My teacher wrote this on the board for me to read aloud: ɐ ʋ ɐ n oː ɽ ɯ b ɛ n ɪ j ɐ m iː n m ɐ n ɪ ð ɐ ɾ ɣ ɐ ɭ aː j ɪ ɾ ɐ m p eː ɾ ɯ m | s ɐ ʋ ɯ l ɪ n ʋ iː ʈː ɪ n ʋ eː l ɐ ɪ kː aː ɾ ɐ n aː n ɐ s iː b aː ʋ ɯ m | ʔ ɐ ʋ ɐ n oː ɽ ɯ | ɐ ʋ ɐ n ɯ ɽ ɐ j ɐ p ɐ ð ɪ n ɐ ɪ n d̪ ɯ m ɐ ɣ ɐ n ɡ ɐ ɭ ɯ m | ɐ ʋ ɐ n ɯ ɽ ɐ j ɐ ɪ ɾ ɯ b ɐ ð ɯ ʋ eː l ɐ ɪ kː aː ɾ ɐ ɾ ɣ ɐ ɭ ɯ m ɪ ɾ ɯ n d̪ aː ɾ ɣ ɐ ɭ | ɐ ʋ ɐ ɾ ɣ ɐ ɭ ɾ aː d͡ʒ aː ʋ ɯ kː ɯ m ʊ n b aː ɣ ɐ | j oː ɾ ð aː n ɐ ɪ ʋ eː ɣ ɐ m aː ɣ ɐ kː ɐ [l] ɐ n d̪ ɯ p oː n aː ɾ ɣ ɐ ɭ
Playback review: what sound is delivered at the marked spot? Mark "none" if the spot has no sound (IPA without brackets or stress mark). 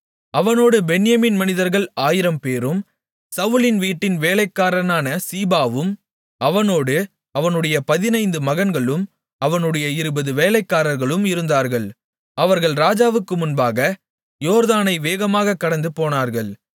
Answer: ɽ